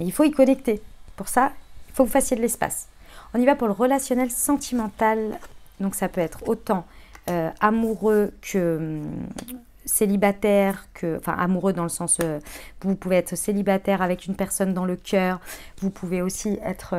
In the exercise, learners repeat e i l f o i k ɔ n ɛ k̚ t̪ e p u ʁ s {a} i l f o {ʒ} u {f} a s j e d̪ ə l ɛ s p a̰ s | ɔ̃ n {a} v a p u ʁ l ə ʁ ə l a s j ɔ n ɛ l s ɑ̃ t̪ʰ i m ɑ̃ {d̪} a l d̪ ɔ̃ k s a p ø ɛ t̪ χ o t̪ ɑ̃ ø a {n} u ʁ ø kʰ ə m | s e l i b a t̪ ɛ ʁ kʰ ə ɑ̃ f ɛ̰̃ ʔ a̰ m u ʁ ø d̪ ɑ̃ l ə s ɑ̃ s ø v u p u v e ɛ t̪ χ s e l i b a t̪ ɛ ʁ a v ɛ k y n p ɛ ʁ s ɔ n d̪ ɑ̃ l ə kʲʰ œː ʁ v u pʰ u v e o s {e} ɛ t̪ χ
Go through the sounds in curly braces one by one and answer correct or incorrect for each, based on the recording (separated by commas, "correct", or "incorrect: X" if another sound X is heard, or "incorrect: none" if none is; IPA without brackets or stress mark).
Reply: correct, incorrect: v, correct, incorrect: i, incorrect: t̪, incorrect: m, incorrect: i